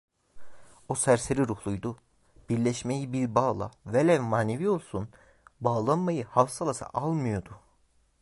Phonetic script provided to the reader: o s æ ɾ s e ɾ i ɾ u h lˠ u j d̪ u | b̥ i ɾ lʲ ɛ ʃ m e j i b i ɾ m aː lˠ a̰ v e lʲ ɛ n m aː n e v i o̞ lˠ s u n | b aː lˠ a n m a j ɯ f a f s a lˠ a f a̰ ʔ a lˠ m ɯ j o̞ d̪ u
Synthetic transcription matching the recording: o s æ ɾ s e ɾ i ɾ u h lˠ u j d̪ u | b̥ i ɾ lʲ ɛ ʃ m e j i b i ɾ b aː lˠ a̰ v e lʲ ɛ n m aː n e v i o̞ lˠ s u n | b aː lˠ a n m a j ɯ h a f s a lˠ a s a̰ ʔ a lˠ m ɯ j o̞ d̪ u